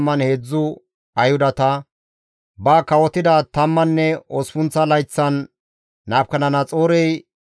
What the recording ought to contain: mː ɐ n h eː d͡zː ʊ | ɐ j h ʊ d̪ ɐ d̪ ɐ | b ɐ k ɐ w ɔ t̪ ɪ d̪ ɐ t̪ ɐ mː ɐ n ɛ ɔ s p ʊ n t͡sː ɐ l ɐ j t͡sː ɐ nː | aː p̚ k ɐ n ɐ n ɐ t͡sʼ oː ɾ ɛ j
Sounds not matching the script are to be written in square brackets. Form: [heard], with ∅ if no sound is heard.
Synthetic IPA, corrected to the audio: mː ɐ n h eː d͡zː ʊ | ɐ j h ʊ d̪ ɐ [t̪] ɐ | b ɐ k ɐ w ɔ t̪ ɪ d̪ ɐ t̪ ɐ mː ɐ [nː] ɛ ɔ s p ʊ n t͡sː ɐ l ɐ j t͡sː ɐ nː | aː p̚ k ɐ n ɐ n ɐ t͡sʼ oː ɾ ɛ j